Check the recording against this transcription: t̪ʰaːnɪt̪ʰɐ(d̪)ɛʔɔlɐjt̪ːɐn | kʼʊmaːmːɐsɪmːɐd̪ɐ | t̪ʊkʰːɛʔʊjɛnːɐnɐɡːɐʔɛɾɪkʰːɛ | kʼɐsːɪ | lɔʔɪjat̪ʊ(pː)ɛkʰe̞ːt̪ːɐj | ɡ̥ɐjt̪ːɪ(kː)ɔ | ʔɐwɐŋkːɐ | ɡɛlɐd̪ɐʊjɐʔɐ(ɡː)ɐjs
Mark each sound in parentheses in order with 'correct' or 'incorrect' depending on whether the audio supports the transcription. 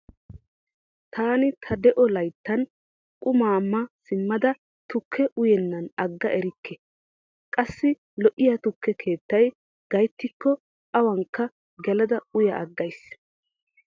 correct, incorrect, correct, correct

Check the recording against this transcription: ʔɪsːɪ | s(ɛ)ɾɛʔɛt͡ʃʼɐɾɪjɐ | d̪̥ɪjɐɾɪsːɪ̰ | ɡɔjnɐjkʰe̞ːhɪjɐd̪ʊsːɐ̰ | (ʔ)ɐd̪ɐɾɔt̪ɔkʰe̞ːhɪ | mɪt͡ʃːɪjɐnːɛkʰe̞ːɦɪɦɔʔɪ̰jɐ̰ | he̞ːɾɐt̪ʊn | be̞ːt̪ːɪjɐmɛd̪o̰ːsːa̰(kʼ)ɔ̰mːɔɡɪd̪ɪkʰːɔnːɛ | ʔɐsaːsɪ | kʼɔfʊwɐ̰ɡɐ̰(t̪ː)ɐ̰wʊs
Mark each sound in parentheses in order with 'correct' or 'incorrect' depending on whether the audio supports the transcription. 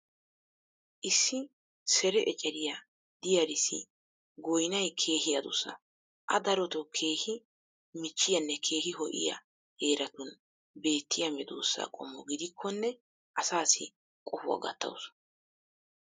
correct, correct, correct, correct

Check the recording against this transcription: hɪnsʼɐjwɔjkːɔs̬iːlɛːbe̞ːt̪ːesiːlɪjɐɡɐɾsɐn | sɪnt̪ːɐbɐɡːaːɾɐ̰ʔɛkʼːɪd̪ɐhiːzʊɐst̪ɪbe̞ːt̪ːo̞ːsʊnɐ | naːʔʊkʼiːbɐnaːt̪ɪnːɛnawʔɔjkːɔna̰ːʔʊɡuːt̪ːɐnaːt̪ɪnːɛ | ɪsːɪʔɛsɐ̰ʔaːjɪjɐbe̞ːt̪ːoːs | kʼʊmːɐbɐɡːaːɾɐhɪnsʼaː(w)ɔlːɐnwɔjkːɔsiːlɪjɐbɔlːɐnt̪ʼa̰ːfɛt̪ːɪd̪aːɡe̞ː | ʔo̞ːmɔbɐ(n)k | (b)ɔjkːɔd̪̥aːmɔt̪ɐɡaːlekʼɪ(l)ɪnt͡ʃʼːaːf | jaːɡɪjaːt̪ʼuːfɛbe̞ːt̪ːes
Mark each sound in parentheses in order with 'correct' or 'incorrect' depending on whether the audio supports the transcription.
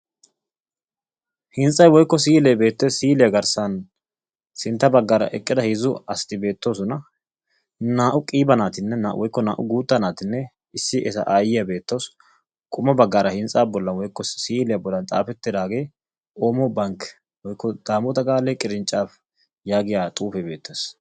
incorrect, incorrect, incorrect, incorrect

